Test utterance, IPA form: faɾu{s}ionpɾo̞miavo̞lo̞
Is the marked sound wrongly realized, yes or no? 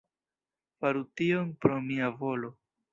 yes